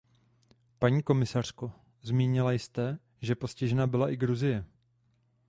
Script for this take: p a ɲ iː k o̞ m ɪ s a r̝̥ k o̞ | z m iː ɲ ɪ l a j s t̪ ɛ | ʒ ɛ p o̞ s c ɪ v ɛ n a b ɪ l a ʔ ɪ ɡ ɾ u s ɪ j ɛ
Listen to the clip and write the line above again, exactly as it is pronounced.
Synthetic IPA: p a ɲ iː k o̞ m ɪ s a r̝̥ k o̞ | z m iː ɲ ɪ l a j s t̪ ɛ | ʒ ɛ p o̞ s c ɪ ʒ ɛ n a b ɪ l a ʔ ɪ ɡ ɾ u z ɪ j ɛ

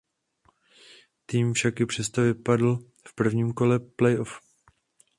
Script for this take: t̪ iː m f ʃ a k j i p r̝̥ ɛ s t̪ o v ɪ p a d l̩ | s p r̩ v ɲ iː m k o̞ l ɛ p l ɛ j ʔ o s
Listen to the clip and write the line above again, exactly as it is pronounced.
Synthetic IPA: t̪ iː m f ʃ a k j ɪ p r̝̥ ɛ s t̪ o v ɪ p a d l̩ | f p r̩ v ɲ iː m k o̞ l ɛ p l ɛ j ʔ o f

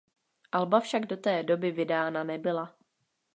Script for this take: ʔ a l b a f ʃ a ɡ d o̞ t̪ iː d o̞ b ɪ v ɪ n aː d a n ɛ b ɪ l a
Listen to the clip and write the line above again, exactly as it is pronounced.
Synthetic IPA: ʔ a l b a f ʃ a ɡ d o̞ t̪ ɛː d o̞ b ɪ v ɪ d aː n a n ɛ b ɪ l a

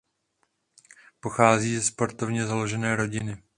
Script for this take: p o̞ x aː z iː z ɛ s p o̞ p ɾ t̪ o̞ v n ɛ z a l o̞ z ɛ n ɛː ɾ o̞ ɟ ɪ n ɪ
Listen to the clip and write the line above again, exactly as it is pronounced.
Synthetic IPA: p o̞ x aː z iː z ɛ s p o̞ ɾ t̪ o̞ v ɲ ɛ z a l o̞ ʒ ɛ n ɛː ɾ o̞ ɟ ɪ n ɪ

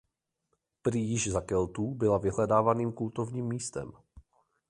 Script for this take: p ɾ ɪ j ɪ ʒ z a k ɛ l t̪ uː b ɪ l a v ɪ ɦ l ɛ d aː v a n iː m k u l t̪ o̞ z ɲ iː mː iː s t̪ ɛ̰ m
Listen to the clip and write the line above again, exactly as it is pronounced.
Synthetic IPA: p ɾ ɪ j ɪ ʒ z a k ɛ l t̪ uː b ɪ l a v ɪ ɦ l ɛ d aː v a n iː m k u l t̪ o̞ v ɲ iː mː iː s t̪ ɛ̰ m

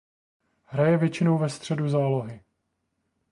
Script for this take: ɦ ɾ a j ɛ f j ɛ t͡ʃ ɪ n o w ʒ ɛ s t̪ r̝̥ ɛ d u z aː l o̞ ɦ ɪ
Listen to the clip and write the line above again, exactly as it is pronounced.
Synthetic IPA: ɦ ɾ a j ɛ v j ɛ t͡ʃ ɪ n o w v ɛ s t̪ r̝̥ ɛ d u z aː l o̞ ɦ ɪ

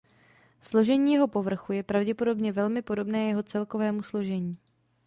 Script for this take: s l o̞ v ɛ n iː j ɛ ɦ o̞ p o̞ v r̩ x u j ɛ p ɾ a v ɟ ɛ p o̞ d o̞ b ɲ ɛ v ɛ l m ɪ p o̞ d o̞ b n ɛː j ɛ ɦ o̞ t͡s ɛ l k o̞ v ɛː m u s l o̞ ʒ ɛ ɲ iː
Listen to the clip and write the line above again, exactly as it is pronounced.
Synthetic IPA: s l o̞ ʒ ɛ ɲ iː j ɛ ɦ o̞ p o̞ v r̩ x u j ɛ p ɾ a v ɟ ɛ p o̞ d o̞ b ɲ ɛ v ɛ l m ɪ p o̞ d o̞ b n ɛː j ɛ ɦ o̞ t͡s ɛ l k o̞ v ɛː m u s l o̞ ʒ ɛ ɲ iː

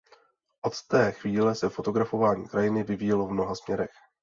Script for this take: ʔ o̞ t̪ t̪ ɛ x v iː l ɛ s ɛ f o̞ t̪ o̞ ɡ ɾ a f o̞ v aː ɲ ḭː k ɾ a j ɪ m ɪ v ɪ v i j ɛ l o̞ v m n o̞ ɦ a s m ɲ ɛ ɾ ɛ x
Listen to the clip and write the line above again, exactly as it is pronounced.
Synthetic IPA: ʔ o̞ t̪ t̪ ɛː x v iː l ɛ s ɛ f o̞ t̪ o̞ ɡ ɾ a f o̞ v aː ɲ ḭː k ɾ a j ɪ n ɪ v ɪ v i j ɛ l o̞ v m n o̞ ɦ a s m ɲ ɛ ɾ ɛ x

